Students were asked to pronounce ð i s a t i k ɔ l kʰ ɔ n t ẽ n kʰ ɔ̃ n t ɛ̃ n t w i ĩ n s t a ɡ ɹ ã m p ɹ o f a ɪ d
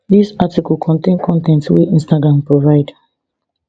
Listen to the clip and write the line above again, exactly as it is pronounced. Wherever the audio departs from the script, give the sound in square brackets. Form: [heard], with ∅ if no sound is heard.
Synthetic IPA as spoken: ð i s a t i k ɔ l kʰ [ɔ̃] n t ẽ n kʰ ɔ̃ n t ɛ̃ n t w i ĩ n s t a ɡ ɹ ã m p ɹ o [v] a ɪ d